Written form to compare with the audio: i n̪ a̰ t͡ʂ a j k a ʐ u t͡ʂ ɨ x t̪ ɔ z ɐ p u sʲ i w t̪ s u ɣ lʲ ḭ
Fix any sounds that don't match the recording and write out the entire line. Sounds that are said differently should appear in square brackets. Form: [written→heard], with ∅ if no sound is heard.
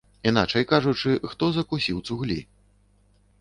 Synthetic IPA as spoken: i n̪ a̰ t͡ʂ [a→ɐ] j k a ʐ u t͡ʂ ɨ x t̪ ɔ z ɐ [p→k] u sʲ i w t̪ s u ɣ lʲ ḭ